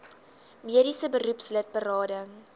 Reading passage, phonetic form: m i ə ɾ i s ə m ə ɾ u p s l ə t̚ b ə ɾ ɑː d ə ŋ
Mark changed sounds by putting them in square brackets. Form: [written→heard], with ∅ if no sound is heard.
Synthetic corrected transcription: m i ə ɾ i s ə [m→b] ə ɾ u p s l ə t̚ b ə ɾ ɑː d ə ŋ